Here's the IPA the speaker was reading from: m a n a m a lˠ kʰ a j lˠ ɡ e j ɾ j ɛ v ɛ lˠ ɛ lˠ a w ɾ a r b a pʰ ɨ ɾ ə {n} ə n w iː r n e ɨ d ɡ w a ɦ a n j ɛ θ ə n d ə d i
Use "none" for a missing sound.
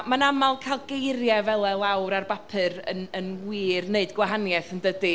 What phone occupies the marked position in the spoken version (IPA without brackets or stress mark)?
n